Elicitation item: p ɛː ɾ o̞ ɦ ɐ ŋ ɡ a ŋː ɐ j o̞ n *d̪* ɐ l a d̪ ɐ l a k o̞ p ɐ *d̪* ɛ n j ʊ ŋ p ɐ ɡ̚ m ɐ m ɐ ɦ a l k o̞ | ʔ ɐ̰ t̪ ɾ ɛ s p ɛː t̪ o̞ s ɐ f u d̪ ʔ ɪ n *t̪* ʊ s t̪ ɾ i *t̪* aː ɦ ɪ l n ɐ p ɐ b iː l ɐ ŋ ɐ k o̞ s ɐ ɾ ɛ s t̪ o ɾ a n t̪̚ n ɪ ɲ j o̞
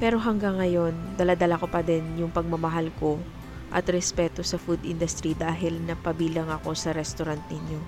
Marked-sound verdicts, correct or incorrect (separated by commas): correct, correct, incorrect, incorrect